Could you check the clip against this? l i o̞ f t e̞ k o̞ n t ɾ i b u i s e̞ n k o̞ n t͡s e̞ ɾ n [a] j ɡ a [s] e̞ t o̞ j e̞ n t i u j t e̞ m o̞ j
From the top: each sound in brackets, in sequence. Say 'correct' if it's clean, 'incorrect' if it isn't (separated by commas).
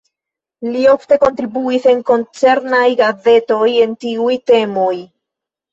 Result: correct, incorrect